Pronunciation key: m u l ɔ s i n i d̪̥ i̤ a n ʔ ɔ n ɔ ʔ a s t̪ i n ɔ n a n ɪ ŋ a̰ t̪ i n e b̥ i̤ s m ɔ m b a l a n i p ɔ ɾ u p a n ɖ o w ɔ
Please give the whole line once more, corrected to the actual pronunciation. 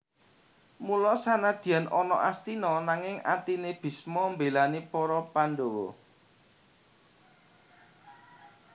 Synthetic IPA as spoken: m u l ɔ s a n a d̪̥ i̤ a n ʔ ɔ n ɔ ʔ a s t̪ i n ɔ n a ŋ ɪ ŋ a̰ t̪ i n e b̥ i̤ s m ɔ m b e l a n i p ɔ ɾ ɔ p a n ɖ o w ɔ

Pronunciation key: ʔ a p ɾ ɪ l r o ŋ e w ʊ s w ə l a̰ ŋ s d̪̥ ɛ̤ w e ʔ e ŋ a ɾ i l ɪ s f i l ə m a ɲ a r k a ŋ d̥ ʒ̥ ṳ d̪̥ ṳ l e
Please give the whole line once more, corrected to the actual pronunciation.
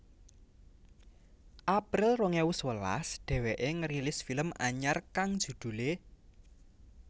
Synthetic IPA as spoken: ʔ a p ɾ ɪ l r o ŋ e w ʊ s w ə l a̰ s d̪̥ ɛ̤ w e ʔ e ŋ ə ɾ i l ɪ s f i l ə m a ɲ a r k a ŋ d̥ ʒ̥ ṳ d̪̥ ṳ l e

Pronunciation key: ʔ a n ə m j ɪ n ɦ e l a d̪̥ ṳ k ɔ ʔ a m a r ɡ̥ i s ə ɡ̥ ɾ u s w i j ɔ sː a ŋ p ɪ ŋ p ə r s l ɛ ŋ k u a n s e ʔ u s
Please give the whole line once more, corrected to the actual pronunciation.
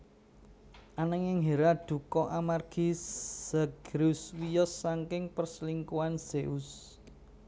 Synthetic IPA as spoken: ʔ a n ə ŋ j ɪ ŋ ɦ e ɾ a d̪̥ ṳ k ɔ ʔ a m a r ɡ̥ i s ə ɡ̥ ɾ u s w i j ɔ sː a ŋ k ɪ ŋ p ə r s l i ŋ k u a n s e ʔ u s

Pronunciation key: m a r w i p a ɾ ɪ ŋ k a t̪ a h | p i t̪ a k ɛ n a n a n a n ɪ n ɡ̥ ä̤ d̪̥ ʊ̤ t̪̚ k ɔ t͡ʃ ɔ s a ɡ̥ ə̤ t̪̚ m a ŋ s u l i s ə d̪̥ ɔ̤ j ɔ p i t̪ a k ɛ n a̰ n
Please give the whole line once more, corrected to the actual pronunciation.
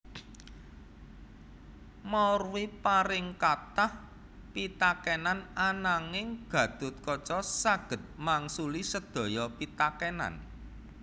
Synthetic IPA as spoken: m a r w i p a ɾ ɪ ŋ k a t̪ a h | p i t̪ a k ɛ n a n a n a ŋ ɪ ŋ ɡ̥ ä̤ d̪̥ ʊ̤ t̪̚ k ɔ t͡ʃ ɔ s a ɡ̥ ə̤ t̪̚ m a ŋ s u l i s ə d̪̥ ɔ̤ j ɔ p i t̪ a k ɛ n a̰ n

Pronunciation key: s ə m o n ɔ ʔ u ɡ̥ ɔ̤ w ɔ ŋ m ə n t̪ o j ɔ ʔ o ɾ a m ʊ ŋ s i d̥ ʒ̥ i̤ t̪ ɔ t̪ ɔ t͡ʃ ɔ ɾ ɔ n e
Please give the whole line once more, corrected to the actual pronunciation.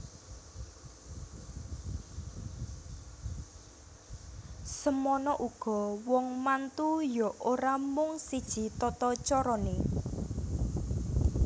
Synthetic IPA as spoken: s ə m ɔ n ɔ ʔ u ɡ̥ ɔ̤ w ɔ ŋ m a n t̪ u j ɔ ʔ o ɾ a m ʊ ŋ s i d̥ ʒ̥ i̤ t̪ ɔ t̪ ɔ t͡ʃ ɔ ɾ ɔ n e

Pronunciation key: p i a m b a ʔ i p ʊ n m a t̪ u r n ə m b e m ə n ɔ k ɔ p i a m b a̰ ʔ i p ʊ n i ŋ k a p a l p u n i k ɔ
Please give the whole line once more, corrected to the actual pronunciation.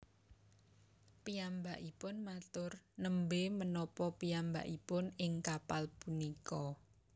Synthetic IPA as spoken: p i a m b a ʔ i p ʊ n m a t̪ ʊ r n ə m b e m ə n ɔ p ɔ p i a m b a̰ ʔ i p ʊ n ɪ ŋ k a p a l p u n i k ɔ

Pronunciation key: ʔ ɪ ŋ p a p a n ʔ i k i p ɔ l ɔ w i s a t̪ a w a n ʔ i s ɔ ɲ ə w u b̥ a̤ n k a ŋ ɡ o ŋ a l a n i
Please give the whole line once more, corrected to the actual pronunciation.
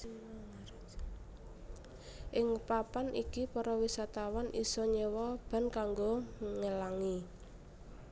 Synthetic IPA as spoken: ʔ ɪ ŋ p a p a n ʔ i k i p ɔ ɾ ɔ w i s a t̪ a w a n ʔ i s ɔ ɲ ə w ɔ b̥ a̤ n k a ŋ ɡ o ŋ ə l a ŋ i

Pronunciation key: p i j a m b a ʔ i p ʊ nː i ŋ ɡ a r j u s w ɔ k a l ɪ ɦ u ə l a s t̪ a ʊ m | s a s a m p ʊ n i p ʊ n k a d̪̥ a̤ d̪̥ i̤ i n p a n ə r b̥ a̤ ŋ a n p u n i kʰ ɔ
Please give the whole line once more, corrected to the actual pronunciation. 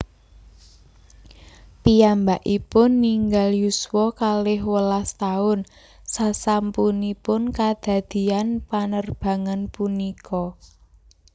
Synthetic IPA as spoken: p i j a m b a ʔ i p ʊ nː i ŋ ɡ a l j u s w ɔ k a l ɪ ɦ w ə l a s t̪ a ʊ n | s a s a m p u n i p ʊ n k a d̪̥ a̤ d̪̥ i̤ a n p a n ə r b̥ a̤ ŋ a n p u n i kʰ ɔ

